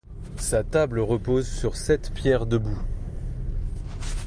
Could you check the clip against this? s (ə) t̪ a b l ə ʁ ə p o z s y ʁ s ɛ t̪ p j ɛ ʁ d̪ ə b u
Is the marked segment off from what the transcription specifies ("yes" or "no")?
yes